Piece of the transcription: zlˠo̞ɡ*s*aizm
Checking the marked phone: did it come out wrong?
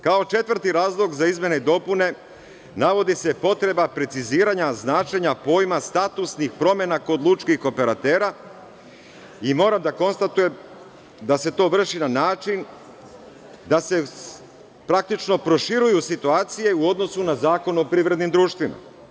yes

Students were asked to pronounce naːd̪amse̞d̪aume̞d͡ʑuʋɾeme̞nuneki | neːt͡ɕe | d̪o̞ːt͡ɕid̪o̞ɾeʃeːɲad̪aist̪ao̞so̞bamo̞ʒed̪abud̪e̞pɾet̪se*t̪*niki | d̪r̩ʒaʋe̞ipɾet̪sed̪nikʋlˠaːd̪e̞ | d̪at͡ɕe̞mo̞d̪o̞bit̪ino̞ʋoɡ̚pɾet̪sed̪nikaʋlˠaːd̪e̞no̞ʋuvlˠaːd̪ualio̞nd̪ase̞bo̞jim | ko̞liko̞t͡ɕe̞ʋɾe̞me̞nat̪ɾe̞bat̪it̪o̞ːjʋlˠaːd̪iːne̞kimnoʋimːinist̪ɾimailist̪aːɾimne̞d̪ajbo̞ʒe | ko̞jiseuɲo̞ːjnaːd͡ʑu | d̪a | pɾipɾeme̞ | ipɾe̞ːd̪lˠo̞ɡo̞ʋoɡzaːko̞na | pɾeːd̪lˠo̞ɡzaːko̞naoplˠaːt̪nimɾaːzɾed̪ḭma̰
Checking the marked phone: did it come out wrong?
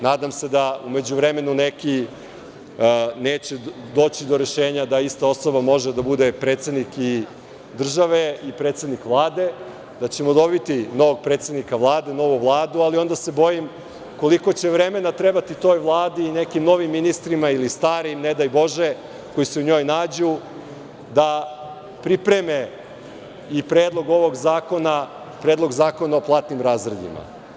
yes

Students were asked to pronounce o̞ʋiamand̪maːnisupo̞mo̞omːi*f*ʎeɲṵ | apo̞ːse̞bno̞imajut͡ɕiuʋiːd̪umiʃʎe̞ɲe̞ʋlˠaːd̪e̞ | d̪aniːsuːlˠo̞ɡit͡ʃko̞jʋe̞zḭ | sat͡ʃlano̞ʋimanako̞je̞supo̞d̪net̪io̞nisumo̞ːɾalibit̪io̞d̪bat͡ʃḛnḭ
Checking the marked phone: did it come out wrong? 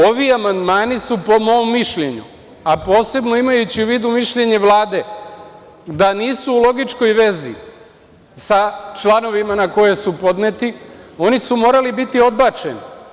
yes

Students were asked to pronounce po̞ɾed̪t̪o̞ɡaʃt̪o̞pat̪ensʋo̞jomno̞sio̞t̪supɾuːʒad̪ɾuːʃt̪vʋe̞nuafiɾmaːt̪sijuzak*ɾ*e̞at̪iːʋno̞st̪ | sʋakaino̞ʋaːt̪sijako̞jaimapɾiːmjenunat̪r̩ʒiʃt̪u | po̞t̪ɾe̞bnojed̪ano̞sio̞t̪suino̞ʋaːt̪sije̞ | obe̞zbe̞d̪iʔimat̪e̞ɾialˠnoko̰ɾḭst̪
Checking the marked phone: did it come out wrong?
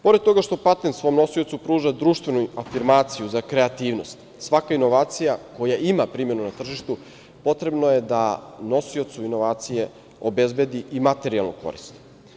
no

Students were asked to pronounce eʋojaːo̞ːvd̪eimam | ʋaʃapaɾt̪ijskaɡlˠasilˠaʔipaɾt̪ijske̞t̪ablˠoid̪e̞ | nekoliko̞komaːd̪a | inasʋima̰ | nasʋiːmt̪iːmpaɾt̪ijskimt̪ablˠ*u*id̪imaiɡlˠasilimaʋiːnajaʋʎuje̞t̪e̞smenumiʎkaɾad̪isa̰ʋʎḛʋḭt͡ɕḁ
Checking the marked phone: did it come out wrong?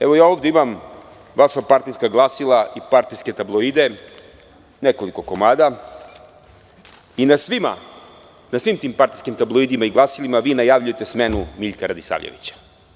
yes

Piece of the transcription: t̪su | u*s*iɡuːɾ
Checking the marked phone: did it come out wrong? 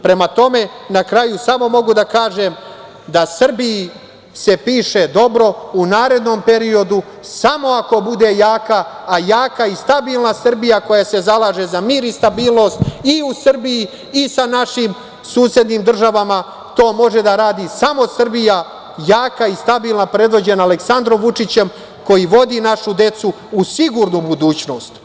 no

